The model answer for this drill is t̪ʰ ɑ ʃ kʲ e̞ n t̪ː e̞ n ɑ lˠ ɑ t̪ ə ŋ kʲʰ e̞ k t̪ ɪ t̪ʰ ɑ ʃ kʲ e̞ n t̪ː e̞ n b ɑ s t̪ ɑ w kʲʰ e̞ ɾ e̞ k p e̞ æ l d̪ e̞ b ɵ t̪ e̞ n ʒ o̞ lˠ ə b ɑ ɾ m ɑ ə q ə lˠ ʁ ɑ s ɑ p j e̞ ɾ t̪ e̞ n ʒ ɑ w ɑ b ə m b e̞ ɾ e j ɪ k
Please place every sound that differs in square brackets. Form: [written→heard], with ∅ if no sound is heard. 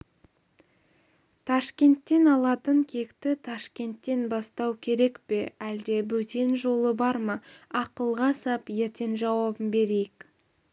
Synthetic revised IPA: t̪ʰ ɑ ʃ kʲ e̞ n t̪ː e̞ n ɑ lˠ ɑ t̪ ə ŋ kʲʰ e̞ k t̪ ɪ t̪ʰ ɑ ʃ kʲ e̞ n t̪ː e̞ n b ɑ s t̪ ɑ w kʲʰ e̞ ɾ e̞ k p e̞ æ l d̪ e̞ b ɵ t̪ e̞ n ʒ o̞ lˠ ə b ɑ ɾ m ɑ [ə→ɑ] q ə lˠ ʁ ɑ s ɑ p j e̞ ɾ t̪ e̞ n ʒ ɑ w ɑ b ə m b e̞ ɾ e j ɪ k